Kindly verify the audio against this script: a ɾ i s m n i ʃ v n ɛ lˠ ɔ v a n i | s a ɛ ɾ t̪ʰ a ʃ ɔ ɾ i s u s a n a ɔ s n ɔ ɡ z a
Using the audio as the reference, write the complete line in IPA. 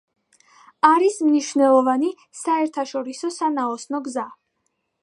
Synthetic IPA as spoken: a ɾ i s m n i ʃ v n ɛ lˠ ɔ v a n i | s a ɛ ɾ t̪ʰ a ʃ ɔ ɾ i s ɔ s a n a ɔ s n ɔ ɡ z a